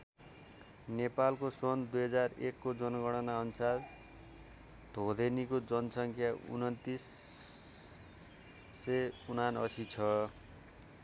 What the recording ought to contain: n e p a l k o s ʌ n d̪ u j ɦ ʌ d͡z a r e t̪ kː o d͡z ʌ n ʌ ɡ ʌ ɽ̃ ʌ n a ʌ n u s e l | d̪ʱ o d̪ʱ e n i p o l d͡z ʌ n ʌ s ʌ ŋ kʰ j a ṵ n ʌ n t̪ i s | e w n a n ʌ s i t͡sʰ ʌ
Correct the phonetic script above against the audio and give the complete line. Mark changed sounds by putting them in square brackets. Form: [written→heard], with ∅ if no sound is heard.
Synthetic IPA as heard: n e p a l k o s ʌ n d̪ u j ɦ ʌ d͡z a r e [t̪→∅] kː o d͡z ʌ n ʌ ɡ ʌ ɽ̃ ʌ n a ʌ n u s [e→a] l | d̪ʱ o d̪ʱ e n i [p→k] o [l→∅] d͡z ʌ n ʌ s ʌ ŋ kʰ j a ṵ n ʌ n t̪ i s | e [w→u] n a n ʌ s i t͡sʰ ʌ